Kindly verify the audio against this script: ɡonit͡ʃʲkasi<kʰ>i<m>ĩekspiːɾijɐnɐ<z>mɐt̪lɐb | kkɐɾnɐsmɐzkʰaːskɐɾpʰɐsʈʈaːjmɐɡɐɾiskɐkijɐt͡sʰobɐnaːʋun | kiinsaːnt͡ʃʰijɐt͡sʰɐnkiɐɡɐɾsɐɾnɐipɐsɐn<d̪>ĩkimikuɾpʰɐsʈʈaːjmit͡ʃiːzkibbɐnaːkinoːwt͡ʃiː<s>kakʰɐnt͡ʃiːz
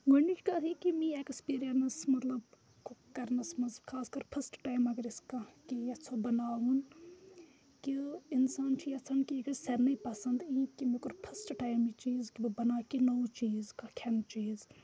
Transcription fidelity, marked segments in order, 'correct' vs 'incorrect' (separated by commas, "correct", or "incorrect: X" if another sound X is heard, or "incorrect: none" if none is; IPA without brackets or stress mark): incorrect: k, correct, incorrect: s, correct, incorrect: z